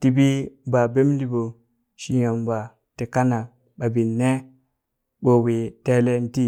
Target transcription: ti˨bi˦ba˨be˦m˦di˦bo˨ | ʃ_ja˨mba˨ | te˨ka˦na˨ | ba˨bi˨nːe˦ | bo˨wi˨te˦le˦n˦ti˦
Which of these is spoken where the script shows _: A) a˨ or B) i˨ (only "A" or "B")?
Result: B